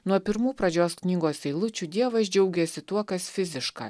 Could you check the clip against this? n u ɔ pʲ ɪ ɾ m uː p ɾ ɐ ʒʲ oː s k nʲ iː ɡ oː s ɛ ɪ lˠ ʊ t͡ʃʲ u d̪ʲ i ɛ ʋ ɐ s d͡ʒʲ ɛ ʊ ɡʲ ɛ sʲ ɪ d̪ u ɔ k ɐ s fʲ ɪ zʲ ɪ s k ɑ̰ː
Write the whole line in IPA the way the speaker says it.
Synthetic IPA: n u ɔ pʲ ɪ ɾ m uː p ɾ ɐ d͡ʒʲ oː s k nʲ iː ɡ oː s ɛ ɪ lˠ ʊ t͡ʃʲ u d̪ʲ i ɛ ʋ ɐ s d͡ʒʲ ɛ ʊ ɡʲ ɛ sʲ ɪ t̪ u ɔ k ɐ s fʲ ɪ zʲ ɪ ʃ k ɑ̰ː